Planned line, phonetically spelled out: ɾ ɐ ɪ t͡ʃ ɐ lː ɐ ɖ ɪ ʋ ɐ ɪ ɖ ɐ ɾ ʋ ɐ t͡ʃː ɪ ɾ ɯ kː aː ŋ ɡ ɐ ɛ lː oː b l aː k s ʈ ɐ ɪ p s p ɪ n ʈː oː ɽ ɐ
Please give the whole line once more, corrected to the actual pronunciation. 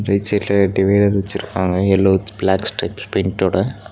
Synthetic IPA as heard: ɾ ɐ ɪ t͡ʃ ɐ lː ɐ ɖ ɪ ʋ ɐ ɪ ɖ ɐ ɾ ʋ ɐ t͡ʃː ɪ ɾ ɯ kː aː ŋ ɡ ɐ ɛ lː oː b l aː k s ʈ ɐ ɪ p s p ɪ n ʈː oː ɽ ɐ